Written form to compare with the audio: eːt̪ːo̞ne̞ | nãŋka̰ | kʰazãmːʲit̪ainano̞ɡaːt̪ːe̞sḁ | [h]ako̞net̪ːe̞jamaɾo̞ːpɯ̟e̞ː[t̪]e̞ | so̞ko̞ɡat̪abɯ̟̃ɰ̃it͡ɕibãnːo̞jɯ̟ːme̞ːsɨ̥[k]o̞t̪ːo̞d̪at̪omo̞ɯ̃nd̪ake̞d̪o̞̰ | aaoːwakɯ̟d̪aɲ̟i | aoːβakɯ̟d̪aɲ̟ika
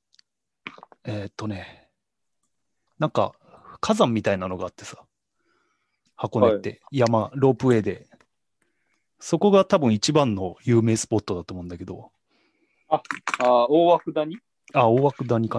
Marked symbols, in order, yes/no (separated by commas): yes, no, no